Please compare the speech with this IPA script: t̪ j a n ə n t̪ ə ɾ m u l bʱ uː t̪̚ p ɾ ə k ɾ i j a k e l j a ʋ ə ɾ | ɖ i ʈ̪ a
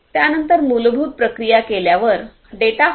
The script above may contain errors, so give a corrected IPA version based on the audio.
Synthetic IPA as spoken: t̪ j a n ə n t̪ ə ɾ m u l bʱ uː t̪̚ p ɾ ə k ɾ i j a k e l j a ʋ ə ɾ | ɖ e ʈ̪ a